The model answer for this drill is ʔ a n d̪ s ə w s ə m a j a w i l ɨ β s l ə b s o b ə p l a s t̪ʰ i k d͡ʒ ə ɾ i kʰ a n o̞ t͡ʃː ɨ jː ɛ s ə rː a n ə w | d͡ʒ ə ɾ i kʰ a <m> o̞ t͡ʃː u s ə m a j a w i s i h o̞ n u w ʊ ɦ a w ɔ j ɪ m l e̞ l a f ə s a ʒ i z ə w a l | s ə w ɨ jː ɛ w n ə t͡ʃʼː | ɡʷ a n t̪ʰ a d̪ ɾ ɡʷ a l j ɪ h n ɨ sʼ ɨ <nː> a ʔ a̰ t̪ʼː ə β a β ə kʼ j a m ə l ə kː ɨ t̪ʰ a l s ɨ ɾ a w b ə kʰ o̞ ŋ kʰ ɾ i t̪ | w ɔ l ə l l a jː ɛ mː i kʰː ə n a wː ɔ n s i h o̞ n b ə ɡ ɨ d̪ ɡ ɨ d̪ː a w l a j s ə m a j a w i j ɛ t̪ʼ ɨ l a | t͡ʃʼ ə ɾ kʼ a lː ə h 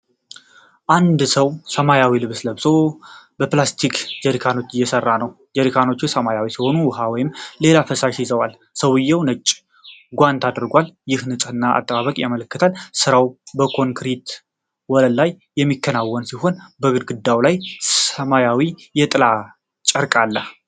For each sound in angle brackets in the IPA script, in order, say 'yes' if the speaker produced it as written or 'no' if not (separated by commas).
no, yes